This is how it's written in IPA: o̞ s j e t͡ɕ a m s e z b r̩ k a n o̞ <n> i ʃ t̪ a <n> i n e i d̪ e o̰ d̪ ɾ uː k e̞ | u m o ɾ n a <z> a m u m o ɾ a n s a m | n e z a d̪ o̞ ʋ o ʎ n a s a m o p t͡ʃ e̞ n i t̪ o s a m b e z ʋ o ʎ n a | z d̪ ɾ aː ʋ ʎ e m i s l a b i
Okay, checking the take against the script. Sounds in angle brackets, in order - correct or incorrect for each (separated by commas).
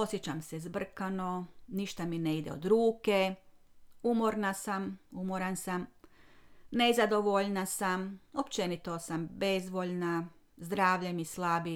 correct, incorrect, incorrect